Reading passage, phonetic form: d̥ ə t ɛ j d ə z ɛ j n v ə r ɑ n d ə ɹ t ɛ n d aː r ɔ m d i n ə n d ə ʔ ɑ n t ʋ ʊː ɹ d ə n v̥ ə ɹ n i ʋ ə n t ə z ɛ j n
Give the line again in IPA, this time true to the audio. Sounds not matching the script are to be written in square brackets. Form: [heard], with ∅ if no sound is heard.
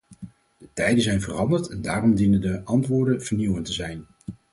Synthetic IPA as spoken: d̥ ə t ɛ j d ə z ɛ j n v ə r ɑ n d ə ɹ t ɛ n d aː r ɔ m d i n ə n d ə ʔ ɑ n t ʋ ʊː ɹ d ə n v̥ ə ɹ n i [w] ə n t ə z ɛ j n